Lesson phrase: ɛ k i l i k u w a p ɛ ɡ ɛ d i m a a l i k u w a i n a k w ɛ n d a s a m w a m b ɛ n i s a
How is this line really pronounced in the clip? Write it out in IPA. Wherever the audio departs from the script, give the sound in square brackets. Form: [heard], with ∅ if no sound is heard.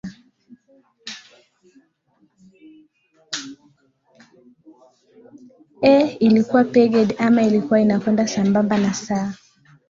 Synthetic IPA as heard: ɛ [∅] i l i k u w a p ɛ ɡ ɛ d [a] m a [i] l i k u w a i n a k w ɛ n d a s a m [b] a m b [a] n [a] s a